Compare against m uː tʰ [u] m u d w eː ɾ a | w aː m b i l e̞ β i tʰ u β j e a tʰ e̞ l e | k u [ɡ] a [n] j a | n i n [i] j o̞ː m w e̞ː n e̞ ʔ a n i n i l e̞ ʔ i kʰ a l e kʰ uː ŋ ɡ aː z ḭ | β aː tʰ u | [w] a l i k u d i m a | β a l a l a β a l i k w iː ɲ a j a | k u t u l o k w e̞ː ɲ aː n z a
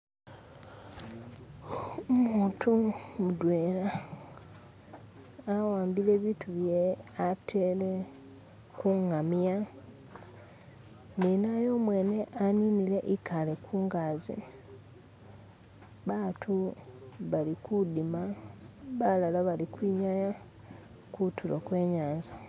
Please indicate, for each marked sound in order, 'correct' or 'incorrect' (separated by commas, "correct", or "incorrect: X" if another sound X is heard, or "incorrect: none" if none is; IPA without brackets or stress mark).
correct, incorrect: ŋ, incorrect: m, incorrect: a, incorrect: β